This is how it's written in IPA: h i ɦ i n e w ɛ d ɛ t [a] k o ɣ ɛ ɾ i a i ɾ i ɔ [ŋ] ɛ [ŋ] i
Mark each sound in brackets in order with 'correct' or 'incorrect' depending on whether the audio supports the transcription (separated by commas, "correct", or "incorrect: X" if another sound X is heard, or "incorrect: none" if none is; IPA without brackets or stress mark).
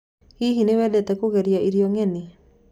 incorrect: ɛ, correct, incorrect: n